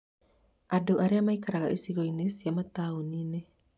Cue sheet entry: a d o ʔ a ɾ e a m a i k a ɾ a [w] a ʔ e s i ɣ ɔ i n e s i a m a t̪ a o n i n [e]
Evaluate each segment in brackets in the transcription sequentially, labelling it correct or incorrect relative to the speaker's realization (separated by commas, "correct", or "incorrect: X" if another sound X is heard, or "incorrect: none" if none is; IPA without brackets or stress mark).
incorrect: ɣ, correct